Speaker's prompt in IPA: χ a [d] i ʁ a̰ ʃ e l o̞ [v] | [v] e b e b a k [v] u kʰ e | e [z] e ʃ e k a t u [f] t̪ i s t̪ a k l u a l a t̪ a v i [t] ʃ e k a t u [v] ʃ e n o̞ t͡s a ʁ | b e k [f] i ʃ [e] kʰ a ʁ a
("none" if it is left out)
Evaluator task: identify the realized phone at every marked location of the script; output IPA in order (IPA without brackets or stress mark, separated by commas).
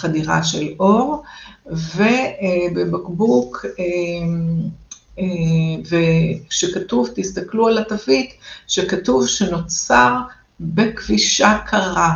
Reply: d, ʁ, v, b, v, v, t, v, v, a